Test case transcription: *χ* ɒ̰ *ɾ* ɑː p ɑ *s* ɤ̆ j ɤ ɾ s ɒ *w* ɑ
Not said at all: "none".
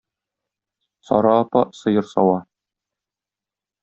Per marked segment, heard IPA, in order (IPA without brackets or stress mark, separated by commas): s, ɾ, s, w